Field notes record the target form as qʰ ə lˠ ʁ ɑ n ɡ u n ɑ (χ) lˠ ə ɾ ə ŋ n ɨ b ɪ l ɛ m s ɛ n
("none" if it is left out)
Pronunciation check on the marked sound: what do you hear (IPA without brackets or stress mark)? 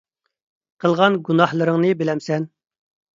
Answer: h